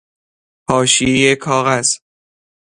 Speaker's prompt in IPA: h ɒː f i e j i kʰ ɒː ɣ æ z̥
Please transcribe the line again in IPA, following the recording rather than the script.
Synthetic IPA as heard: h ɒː ʃ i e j e kʰ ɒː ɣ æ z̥